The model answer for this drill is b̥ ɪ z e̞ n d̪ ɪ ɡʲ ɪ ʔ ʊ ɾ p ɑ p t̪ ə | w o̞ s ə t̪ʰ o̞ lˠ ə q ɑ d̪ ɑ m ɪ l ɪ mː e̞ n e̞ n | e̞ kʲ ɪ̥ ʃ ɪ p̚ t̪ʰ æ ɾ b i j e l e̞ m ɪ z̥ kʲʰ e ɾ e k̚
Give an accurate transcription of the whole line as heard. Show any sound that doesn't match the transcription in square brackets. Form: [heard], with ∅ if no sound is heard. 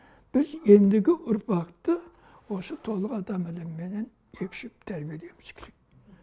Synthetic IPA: b̥ ɪ z e̞ n d̪ ɪ ɡʲ ɪ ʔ ʊ ɾ p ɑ [q] t̪ ə | w o̞ s ə t̪ʰ o̞ lˠ ə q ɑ d̪ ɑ m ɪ l ɪ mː e̞ n e̞ n | e̞ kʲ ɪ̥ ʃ ɪ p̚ t̪ʰ æ ɾ b i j e l e̞ m ɪ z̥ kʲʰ e ɾ e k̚